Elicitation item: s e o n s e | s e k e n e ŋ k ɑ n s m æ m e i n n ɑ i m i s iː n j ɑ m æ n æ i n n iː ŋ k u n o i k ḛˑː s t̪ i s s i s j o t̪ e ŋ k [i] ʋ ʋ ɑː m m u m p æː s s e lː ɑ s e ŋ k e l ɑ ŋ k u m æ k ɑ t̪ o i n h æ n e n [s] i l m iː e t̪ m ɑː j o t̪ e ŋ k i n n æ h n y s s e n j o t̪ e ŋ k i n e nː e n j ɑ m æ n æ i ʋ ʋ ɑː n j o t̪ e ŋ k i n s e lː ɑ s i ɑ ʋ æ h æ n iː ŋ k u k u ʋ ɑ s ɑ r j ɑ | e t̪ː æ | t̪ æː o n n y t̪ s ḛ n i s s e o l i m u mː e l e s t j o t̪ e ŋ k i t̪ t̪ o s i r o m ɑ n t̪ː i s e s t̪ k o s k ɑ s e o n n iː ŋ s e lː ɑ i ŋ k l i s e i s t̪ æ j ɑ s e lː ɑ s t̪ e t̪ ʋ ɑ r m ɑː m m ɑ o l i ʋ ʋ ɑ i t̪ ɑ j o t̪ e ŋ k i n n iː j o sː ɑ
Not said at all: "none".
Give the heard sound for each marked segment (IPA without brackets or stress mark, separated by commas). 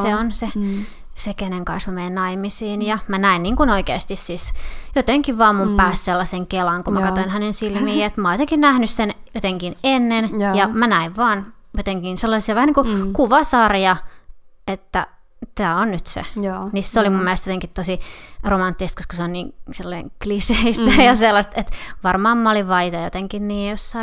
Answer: i, s